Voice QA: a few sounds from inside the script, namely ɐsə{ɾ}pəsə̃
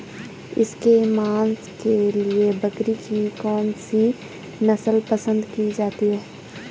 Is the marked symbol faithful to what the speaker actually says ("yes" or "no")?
no